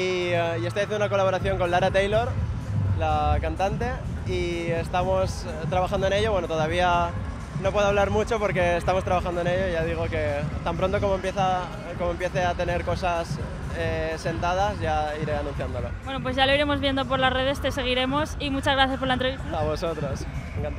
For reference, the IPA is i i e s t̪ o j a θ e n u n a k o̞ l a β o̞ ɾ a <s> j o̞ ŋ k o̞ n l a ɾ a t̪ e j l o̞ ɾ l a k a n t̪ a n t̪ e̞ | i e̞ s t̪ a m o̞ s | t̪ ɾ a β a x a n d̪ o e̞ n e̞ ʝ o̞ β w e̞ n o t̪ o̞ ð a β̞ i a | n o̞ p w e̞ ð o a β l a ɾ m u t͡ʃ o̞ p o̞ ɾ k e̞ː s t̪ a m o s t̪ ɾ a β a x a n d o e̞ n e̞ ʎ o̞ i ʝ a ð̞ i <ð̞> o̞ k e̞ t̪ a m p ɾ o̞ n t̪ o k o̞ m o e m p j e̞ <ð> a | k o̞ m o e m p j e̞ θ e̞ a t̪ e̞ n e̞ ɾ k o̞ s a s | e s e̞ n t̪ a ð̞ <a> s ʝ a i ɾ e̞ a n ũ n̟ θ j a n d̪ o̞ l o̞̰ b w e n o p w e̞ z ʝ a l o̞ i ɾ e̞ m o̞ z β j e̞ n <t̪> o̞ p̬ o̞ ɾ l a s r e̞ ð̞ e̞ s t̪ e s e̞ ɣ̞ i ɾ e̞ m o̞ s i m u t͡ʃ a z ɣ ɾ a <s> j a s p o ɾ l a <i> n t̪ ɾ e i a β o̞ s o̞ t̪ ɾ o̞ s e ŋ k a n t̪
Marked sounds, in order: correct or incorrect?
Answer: incorrect: θ, incorrect: ɣ̞, incorrect: θ, correct, incorrect: d̪, incorrect: θ, incorrect: e

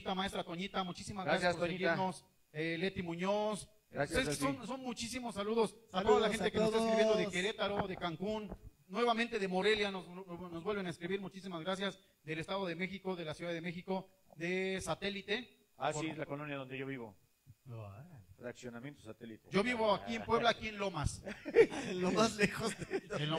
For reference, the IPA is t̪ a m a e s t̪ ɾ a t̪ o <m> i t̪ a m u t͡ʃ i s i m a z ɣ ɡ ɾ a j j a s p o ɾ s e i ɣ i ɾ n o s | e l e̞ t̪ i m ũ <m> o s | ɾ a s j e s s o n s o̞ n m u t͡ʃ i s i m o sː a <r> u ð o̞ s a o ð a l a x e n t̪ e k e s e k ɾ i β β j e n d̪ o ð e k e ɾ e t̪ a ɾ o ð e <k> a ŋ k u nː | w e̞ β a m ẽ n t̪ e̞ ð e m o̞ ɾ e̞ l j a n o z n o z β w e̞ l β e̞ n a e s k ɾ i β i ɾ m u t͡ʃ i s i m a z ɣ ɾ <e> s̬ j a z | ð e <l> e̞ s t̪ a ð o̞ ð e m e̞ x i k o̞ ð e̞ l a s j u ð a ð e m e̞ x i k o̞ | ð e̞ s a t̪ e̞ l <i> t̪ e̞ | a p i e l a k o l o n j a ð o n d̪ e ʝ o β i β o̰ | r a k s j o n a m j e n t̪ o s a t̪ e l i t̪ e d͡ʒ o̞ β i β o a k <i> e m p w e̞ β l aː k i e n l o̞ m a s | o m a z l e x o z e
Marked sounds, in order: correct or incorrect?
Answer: incorrect: ɲ, incorrect: ɲ, incorrect: l, correct, incorrect: a, correct, correct, correct

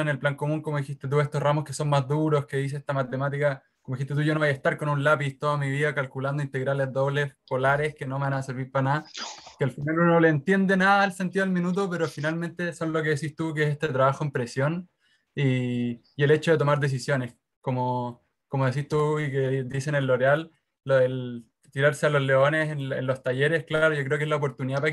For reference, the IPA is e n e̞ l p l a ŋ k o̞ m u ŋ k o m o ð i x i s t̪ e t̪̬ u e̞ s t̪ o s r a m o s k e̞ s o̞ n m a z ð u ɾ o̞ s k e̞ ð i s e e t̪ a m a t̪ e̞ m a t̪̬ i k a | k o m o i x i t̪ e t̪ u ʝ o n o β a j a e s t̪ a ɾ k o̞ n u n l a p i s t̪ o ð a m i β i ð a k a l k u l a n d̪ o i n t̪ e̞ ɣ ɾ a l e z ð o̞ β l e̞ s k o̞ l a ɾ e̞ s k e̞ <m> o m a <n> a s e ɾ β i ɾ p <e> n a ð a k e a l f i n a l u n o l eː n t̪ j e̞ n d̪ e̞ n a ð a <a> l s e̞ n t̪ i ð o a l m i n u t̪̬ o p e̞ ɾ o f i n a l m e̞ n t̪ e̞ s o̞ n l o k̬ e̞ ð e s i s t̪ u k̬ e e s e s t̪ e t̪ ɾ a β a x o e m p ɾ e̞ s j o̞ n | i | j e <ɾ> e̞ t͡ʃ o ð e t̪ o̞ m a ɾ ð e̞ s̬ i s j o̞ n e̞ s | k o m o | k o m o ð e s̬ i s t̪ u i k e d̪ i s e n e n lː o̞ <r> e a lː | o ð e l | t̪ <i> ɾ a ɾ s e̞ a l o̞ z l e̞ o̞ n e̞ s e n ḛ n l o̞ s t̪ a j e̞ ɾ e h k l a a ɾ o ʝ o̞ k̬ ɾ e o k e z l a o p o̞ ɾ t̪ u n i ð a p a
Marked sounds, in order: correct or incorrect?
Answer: incorrect: n, correct, incorrect: a, incorrect: e, incorrect: l, incorrect: ɾ, correct

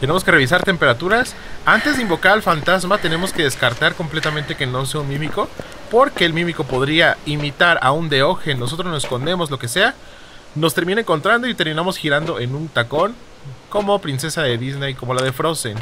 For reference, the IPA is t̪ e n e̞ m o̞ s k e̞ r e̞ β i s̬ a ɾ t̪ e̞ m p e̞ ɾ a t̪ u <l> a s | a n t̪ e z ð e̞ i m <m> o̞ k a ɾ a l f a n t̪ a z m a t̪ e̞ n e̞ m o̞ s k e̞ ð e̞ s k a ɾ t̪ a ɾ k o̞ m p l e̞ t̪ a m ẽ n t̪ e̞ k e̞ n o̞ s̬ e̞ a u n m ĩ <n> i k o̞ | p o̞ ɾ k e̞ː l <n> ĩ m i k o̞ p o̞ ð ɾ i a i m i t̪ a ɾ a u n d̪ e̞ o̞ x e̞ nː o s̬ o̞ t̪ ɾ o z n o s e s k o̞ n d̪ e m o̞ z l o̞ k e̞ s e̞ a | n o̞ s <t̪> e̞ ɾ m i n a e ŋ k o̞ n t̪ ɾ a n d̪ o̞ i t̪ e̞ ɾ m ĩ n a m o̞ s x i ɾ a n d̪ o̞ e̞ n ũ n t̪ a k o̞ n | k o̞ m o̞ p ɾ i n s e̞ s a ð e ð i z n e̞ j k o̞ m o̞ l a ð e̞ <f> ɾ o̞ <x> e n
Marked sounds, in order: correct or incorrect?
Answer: incorrect: ɾ, incorrect: b, incorrect: m, incorrect: m, correct, correct, incorrect: s

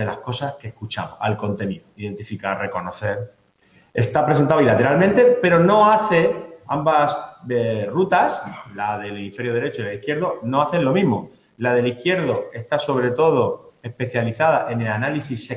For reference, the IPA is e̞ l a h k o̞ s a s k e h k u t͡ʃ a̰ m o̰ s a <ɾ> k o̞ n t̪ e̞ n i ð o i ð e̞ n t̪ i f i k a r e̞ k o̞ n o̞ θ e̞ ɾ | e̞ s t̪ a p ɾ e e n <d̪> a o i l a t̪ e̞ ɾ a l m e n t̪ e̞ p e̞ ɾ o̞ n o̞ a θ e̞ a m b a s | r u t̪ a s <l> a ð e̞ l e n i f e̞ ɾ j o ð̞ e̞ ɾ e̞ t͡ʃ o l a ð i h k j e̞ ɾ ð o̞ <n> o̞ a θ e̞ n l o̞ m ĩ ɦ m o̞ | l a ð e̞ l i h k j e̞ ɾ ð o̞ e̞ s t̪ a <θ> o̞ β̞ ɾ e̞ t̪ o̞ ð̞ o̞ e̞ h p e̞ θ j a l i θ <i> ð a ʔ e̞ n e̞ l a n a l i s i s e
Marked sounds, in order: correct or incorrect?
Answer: incorrect: l, incorrect: t̪, correct, correct, incorrect: s, incorrect: a

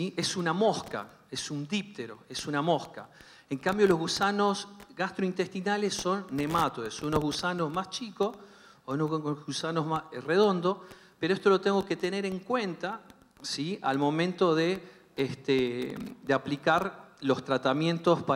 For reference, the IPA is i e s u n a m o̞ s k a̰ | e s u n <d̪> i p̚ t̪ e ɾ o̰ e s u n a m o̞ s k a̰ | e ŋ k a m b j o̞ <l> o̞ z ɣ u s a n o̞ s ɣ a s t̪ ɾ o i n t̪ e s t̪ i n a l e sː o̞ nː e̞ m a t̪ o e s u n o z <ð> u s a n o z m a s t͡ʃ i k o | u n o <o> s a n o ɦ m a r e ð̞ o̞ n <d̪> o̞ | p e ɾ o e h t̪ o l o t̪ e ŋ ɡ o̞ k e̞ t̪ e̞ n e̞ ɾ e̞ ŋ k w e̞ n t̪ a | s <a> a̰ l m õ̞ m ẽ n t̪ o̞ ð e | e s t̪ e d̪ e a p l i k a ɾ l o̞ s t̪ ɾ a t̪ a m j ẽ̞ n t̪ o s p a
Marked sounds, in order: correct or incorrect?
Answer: correct, correct, incorrect: ɣ, incorrect: u, correct, incorrect: i

